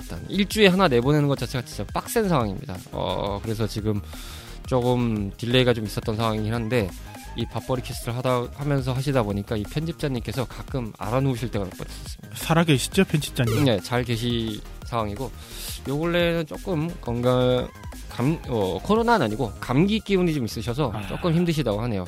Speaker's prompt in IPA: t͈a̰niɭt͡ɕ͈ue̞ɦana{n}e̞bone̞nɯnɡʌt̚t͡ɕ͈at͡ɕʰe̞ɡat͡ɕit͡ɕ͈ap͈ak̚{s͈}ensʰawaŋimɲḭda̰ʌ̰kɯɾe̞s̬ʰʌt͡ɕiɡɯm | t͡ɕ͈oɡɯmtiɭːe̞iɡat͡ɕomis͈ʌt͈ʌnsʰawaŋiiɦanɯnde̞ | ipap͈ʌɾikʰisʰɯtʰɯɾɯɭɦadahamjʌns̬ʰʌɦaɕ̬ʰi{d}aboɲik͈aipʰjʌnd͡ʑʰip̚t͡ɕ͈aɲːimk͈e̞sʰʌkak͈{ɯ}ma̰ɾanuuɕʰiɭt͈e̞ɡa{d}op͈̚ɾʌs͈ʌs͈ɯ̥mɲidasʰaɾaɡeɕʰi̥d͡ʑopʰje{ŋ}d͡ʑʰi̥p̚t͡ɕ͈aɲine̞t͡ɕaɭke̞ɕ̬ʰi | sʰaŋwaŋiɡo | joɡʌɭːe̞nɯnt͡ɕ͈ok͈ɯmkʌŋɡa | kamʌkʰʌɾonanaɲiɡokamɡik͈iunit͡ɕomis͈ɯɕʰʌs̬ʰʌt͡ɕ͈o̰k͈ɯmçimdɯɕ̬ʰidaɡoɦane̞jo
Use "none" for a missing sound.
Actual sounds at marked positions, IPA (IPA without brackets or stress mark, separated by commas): n, s͈, d, ɯ, n, n